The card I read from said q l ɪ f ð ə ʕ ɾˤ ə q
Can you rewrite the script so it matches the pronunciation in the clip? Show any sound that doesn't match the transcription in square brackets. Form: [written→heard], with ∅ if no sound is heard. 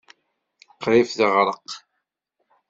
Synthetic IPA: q [l→ɾ] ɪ f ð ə [ʕ→ʁ] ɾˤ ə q